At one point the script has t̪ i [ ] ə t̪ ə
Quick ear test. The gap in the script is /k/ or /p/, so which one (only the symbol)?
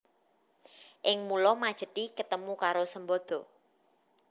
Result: k